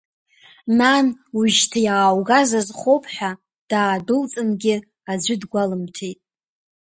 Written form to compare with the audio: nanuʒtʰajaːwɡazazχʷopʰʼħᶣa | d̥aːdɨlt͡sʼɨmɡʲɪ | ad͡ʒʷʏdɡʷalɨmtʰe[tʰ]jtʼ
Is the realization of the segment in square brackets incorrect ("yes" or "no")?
yes